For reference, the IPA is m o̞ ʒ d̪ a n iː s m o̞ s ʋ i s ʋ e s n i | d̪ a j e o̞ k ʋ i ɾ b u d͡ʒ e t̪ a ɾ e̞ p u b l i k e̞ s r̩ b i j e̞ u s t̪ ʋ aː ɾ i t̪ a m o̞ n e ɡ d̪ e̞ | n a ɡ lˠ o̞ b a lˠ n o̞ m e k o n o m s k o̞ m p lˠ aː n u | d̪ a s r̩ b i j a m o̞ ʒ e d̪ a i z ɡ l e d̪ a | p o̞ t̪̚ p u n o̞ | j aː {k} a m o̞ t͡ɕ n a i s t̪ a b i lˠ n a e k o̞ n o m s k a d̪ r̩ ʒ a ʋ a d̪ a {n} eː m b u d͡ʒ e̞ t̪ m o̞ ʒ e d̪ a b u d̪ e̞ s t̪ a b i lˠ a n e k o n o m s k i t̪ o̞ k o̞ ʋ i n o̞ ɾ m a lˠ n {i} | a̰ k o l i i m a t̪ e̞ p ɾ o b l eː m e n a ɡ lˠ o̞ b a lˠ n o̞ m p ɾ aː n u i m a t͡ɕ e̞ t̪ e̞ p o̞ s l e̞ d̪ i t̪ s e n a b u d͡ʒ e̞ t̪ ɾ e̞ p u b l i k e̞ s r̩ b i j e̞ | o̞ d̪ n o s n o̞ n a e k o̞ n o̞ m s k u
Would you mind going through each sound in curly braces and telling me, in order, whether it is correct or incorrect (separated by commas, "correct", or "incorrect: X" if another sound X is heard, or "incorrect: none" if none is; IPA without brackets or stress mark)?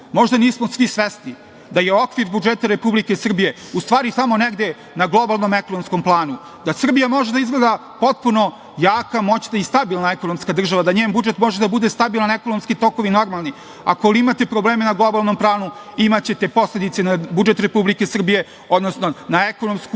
correct, incorrect: ɲ, correct